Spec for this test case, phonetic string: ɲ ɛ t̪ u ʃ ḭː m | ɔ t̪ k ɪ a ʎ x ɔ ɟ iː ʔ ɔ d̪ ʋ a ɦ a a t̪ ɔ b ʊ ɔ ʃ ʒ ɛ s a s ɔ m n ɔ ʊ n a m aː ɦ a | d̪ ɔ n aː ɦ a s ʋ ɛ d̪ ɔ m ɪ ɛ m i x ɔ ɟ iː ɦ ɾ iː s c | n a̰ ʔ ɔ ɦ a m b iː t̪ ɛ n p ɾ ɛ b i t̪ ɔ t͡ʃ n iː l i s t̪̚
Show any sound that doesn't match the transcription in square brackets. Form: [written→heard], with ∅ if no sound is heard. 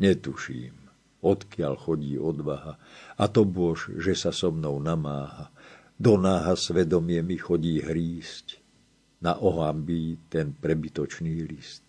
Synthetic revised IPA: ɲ ɛ t̪ u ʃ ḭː m | ɔ t̪ k ɪ a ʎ x ɔ ɟ iː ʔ ɔ d̪ ʋ a ɦ a a t̪ ɔ b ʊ ɔ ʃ ʒ ɛ s a s ɔ m n ɔ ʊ n a m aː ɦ a | d̪ ɔ n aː ɦ a s ʋ ɛ d̪ ɔ m ɪ ɛ m i x ɔ ɟ iː ɦ ɾ iː s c | n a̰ ʔ ɔ ɦ a m b iː t̪ ɛ n p ɾ ɛ b i t̪ ɔ t͡ʃ n iː l i s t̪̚